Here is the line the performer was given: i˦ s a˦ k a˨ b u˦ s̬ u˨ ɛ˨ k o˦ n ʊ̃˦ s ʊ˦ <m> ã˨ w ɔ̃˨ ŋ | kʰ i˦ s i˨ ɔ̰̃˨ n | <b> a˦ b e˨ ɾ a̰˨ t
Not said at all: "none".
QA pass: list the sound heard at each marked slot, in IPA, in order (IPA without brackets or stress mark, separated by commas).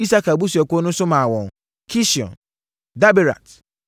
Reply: m, d